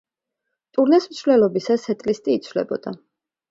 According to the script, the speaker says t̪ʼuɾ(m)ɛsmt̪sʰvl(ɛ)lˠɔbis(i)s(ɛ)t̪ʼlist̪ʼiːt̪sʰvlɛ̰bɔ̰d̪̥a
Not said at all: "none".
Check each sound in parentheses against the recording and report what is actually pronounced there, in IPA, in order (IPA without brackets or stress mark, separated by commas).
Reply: n, ɛ, a, ɛ